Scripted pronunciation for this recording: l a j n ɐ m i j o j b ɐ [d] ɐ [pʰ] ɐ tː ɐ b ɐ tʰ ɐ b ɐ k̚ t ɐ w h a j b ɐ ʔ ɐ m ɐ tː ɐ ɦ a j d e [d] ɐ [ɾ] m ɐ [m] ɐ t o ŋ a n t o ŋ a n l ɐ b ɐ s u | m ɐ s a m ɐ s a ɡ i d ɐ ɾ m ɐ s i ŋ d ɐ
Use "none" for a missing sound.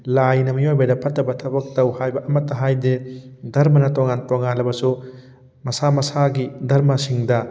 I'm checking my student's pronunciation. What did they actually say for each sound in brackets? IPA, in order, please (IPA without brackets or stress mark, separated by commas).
d, pʰ, d, ɾ, n